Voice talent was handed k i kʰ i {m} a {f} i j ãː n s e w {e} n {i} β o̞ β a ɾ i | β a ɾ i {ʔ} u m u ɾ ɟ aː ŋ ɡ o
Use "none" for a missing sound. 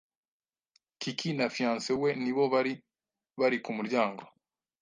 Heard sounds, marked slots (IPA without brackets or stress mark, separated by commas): n, f, e, i, k